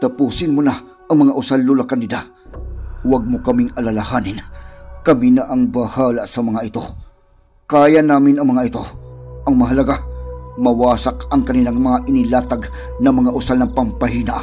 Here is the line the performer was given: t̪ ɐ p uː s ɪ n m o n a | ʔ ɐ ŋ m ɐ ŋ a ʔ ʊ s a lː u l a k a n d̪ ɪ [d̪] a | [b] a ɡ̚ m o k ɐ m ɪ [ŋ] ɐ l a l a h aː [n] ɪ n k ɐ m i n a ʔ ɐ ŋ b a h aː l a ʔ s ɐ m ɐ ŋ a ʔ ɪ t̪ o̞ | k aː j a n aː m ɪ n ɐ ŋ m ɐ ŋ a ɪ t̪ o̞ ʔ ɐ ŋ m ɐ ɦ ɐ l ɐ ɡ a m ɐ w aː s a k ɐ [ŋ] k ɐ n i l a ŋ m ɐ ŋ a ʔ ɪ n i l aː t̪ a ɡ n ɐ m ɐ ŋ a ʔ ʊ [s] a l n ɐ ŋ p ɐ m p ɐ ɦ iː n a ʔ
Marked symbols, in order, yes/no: yes, no, yes, yes, yes, yes

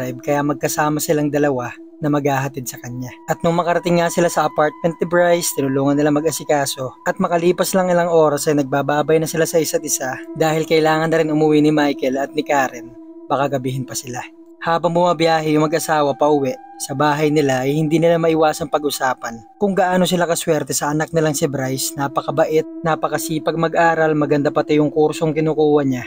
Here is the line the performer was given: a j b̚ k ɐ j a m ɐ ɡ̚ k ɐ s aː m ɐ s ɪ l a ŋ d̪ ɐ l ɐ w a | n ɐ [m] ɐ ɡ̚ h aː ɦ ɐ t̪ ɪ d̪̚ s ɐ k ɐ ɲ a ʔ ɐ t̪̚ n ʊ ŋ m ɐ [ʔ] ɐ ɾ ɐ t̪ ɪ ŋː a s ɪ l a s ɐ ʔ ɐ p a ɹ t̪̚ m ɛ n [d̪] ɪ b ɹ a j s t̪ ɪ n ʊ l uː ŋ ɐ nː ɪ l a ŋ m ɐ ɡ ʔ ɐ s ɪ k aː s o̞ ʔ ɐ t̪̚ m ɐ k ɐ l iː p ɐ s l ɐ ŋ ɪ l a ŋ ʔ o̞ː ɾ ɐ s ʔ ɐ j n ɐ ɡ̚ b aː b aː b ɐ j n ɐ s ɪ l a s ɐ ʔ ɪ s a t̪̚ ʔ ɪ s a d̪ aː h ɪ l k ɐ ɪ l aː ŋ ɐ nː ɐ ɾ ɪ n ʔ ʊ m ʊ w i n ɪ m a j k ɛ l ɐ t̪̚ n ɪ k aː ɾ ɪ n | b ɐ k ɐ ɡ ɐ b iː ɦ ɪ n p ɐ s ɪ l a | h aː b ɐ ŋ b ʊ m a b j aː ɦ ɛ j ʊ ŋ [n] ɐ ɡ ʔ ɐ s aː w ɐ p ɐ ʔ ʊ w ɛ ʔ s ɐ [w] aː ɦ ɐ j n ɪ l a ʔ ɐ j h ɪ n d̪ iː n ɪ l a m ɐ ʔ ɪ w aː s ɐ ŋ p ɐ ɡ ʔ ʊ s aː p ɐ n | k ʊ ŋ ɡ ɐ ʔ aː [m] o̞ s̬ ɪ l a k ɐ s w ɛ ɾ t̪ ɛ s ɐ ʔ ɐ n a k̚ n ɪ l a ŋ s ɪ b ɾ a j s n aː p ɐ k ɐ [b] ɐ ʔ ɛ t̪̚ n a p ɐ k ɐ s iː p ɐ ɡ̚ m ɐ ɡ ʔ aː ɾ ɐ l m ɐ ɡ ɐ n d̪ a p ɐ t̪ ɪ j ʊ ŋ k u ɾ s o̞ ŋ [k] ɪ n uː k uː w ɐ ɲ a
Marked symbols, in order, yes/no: yes, no, no, no, no, no, yes, yes

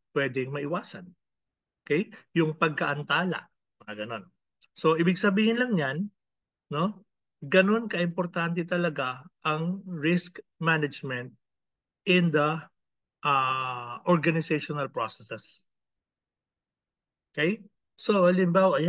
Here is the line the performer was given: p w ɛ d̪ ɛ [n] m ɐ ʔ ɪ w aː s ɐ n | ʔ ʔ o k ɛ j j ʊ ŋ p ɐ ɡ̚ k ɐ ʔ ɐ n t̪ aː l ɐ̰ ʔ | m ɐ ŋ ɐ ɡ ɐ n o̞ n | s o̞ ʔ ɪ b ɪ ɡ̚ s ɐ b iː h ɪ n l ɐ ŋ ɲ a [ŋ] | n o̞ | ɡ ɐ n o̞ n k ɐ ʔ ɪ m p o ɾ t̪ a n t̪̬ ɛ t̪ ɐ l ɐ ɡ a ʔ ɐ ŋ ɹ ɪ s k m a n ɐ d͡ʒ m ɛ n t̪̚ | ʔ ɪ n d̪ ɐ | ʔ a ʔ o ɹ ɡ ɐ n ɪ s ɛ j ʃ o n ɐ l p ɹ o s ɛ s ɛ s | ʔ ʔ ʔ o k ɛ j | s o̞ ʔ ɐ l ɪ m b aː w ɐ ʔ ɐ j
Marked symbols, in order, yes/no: no, no

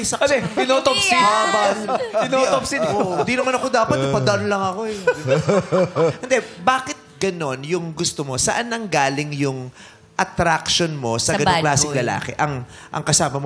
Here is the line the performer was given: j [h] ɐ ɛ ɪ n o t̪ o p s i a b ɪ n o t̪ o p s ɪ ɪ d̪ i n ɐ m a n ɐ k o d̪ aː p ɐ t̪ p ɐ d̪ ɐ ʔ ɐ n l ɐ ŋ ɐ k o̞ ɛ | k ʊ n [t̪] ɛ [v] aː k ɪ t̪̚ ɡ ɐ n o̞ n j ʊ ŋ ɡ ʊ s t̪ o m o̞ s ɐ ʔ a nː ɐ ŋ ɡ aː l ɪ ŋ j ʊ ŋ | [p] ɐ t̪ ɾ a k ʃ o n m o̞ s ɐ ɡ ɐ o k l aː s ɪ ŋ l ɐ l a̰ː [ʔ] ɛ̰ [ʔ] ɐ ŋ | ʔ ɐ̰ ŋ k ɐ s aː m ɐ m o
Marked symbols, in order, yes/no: no, no, no, no, no, yes

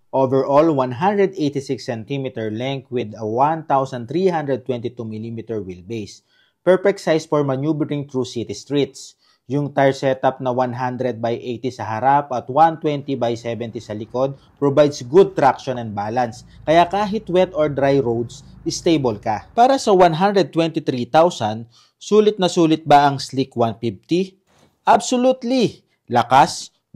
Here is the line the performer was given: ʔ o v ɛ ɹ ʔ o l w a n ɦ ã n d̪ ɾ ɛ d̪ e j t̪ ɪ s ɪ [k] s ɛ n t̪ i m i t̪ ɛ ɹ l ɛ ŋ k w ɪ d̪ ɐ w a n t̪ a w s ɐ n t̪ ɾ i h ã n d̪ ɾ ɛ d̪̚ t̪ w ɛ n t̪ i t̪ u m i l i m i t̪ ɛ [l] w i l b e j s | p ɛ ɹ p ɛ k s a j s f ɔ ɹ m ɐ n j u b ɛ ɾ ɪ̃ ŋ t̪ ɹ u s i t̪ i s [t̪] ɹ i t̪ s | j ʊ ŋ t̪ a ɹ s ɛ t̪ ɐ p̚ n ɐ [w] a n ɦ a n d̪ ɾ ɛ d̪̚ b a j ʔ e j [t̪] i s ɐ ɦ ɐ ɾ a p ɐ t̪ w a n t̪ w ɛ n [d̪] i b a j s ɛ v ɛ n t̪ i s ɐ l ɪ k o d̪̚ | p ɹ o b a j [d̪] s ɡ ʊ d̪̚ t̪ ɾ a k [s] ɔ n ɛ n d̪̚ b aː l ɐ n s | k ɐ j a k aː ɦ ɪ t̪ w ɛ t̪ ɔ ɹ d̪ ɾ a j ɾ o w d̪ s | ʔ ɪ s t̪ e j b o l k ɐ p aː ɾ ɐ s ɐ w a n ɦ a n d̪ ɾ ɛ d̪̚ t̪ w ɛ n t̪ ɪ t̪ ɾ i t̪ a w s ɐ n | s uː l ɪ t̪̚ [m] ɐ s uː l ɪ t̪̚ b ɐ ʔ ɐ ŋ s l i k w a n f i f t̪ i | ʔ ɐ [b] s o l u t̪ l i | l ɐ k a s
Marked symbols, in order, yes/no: yes, no, yes, yes, yes, no, yes, no, no, yes

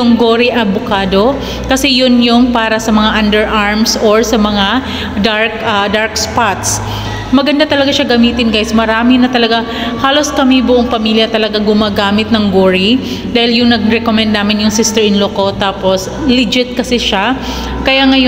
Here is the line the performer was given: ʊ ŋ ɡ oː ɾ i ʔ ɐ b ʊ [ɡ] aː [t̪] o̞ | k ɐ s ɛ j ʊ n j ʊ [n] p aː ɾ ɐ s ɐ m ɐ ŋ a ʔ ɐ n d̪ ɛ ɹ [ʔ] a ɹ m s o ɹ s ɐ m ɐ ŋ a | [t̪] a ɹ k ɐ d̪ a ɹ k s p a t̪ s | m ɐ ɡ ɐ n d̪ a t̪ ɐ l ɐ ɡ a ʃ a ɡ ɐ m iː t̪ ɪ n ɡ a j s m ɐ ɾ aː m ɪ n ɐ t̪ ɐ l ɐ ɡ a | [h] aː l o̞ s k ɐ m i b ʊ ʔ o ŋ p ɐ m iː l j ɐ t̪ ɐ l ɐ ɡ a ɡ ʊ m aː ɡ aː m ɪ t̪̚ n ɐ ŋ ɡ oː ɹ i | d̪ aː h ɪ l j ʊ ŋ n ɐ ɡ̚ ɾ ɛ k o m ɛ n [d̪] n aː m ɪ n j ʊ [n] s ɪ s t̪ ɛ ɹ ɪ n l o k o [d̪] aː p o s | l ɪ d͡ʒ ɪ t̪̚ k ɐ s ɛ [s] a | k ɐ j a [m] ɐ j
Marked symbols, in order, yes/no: no, no, no, yes, no, yes, yes, no, no, no, no

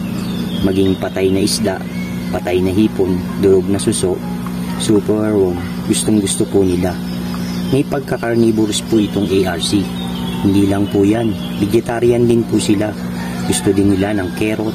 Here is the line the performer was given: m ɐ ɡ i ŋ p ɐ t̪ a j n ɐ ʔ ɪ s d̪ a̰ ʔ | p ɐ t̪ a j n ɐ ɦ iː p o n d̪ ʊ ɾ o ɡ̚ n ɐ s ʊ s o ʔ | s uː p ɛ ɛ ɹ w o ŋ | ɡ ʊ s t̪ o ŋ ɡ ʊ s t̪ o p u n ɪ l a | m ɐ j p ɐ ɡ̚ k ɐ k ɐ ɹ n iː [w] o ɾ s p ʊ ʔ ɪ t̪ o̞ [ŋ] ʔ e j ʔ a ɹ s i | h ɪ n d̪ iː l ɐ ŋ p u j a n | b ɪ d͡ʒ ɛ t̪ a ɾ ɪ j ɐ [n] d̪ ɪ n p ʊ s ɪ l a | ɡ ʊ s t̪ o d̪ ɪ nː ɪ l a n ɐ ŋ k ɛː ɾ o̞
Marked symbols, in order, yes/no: no, yes, yes

